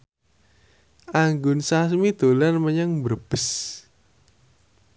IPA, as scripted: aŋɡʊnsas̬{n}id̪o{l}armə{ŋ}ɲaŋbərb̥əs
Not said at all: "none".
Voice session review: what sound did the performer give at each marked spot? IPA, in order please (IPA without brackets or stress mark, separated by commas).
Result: m, l, none